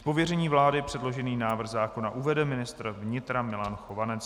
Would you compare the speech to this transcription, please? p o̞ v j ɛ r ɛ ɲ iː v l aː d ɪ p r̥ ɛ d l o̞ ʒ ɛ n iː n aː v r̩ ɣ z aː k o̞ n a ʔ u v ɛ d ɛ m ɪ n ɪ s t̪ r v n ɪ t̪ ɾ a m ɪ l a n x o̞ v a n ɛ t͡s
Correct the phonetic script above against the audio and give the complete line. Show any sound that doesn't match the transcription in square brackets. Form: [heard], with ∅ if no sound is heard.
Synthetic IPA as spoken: p o̞ v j ɛ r ɛ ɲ iː v l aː d ɪ p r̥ ɛ d l o̞ ʒ ɛ n iː n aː v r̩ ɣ z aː k o̞ n a ʔ u v ɛ d ɛ m ɪ n ɪ s t̪ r v [ɲ] ɪ t̪ ɾ a m ɪ l a n x o̞ v a n ɛ t͡s